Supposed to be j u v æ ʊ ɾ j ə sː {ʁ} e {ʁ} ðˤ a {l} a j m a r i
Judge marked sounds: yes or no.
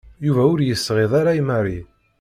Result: yes, no, no

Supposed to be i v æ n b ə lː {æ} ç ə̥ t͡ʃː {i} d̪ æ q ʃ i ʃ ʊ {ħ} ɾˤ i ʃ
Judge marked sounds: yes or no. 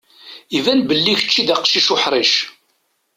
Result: no, yes, yes

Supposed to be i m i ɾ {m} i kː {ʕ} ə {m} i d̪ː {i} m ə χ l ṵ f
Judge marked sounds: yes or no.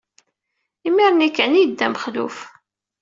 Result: no, yes, no, no

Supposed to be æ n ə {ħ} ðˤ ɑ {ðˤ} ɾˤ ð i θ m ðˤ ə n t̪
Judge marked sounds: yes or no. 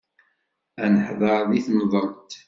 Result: yes, no

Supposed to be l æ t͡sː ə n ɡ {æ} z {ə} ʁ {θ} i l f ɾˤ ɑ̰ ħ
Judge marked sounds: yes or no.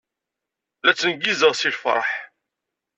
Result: no, yes, no

